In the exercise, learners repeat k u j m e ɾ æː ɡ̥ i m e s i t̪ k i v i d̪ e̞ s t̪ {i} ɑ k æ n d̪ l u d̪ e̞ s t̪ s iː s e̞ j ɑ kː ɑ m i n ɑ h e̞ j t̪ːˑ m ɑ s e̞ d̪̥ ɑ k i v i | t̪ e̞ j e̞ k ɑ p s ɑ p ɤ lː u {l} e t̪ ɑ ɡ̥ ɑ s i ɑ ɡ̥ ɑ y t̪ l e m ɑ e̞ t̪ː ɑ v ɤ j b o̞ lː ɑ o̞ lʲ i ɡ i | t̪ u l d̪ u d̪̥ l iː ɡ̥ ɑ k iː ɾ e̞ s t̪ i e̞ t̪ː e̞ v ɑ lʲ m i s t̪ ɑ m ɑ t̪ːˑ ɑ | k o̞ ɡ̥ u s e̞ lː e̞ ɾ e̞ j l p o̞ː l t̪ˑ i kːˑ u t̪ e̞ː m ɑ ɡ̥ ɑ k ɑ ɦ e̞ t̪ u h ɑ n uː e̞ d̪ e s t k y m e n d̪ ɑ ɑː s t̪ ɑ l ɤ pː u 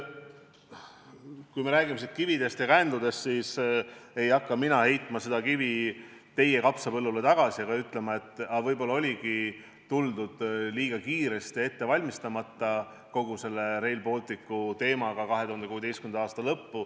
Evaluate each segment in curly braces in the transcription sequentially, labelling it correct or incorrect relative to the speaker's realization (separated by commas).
incorrect, correct